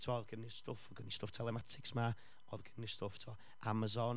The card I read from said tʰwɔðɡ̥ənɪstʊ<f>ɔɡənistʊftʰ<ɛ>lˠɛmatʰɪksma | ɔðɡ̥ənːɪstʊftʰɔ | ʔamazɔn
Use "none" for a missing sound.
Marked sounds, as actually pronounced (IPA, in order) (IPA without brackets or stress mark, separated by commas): f, ɛ